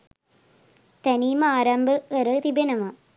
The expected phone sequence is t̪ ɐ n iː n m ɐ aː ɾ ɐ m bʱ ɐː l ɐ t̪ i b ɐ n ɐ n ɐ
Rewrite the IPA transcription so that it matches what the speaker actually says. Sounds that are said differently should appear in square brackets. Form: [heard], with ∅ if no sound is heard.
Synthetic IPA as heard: t̪ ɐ n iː [∅] m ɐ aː ɾ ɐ m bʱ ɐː [ɾ] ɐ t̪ i b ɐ n ɐ [m] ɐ